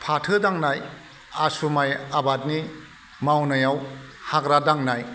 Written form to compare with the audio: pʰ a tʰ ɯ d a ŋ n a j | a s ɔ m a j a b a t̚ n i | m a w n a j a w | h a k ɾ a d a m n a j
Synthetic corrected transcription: pʰ a tʰ ɯ d a ŋ n a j | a s u m a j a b a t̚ n i | m a w n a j a w | h a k ɾ a d a ŋ n a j